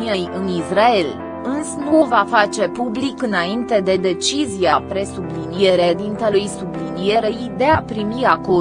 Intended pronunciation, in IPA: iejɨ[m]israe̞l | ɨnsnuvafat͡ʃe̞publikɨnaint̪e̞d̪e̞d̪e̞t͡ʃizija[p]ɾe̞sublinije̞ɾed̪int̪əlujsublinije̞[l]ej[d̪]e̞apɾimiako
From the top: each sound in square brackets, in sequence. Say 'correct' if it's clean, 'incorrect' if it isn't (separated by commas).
incorrect, correct, incorrect, correct